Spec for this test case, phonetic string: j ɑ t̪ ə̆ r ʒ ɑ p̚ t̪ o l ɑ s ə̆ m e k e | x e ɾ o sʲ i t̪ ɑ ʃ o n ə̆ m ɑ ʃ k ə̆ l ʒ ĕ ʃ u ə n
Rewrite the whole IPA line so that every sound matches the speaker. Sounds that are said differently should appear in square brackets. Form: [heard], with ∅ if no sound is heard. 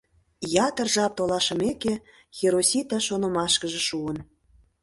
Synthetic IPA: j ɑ t̪ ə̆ r ʒ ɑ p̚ t̪ o l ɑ [ʃ] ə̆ m e k e | x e ɾ o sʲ i t̪ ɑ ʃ o n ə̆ m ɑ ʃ k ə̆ [∅] ʒ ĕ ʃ u ə n